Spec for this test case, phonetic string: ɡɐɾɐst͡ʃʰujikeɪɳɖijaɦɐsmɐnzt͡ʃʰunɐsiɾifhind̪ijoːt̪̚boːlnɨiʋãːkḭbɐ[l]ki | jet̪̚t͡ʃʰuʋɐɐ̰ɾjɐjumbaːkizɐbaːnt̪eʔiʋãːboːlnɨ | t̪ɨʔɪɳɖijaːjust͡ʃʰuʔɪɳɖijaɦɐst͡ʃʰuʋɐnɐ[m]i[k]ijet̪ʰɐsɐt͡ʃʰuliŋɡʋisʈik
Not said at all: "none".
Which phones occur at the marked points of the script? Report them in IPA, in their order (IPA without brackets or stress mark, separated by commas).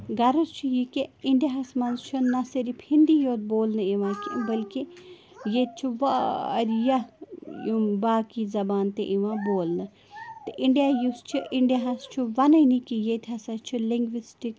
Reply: l, n, k